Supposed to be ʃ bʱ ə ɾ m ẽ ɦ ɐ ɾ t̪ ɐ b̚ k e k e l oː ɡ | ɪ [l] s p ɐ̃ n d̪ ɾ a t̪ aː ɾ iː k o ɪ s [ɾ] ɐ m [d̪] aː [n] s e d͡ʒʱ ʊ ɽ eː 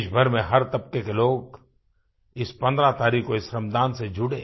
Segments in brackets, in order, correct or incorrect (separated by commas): incorrect, correct, correct, correct